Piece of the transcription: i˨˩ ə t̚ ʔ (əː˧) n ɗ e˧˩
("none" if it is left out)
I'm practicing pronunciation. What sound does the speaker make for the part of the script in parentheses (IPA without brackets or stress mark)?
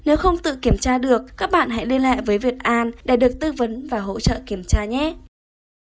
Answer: aː˧